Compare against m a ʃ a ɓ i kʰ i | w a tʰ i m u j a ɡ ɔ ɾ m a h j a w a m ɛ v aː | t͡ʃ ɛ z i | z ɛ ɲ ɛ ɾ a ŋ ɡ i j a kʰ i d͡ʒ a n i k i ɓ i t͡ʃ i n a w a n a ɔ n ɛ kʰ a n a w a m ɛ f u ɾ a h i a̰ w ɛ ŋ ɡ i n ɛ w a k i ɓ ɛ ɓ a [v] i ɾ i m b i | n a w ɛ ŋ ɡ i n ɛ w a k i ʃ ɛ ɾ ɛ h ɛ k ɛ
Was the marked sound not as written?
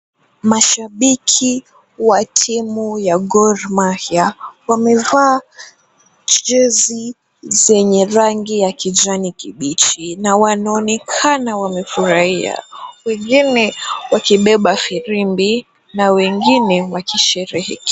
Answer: yes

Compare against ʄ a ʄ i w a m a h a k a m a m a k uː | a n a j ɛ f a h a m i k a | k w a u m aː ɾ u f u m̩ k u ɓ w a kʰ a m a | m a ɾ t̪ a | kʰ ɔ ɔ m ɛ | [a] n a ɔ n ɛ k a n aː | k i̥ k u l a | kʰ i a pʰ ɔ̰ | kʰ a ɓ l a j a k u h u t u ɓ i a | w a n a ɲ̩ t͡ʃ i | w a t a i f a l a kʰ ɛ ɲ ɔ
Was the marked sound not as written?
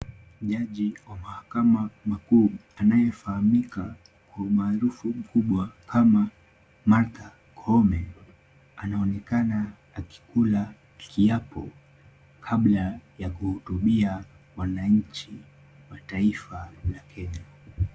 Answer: no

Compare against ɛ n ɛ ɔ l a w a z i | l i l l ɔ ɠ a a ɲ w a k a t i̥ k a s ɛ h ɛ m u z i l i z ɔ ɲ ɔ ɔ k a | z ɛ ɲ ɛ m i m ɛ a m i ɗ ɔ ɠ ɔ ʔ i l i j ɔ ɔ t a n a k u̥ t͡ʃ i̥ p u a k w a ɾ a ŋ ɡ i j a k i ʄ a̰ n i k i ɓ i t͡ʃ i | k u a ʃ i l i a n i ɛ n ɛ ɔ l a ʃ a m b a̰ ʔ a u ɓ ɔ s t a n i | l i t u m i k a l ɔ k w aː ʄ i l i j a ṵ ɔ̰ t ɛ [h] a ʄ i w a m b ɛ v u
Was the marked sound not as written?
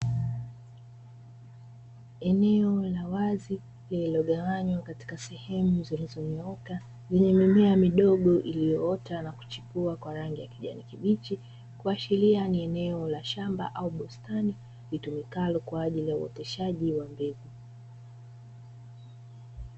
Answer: yes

